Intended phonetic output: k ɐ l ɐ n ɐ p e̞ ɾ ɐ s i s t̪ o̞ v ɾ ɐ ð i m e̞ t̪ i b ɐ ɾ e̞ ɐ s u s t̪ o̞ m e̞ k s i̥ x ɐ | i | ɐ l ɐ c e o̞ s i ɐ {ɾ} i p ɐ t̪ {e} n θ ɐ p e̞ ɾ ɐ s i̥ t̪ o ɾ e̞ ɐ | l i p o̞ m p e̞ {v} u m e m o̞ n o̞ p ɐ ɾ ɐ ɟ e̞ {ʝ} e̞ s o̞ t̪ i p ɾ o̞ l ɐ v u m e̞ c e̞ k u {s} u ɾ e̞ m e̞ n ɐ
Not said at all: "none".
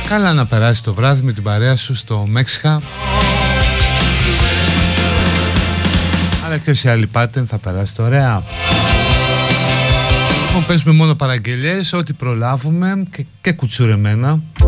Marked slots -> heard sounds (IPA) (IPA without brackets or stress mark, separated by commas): l, e, z, ʎ, t͡s